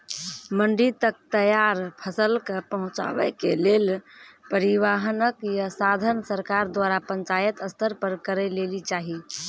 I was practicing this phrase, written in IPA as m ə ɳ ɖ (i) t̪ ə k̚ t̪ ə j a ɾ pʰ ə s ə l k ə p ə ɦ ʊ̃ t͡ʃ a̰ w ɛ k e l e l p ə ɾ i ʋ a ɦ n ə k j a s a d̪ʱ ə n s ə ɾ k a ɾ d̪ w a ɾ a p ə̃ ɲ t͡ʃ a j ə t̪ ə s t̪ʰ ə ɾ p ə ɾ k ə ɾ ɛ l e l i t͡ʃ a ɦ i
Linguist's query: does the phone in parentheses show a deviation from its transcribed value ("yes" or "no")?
no